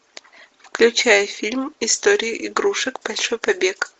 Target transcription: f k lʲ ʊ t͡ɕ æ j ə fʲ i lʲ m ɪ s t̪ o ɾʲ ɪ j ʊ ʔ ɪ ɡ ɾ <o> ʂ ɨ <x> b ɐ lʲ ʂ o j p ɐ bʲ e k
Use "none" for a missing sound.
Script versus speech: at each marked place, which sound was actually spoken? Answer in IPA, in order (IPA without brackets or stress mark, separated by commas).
u, k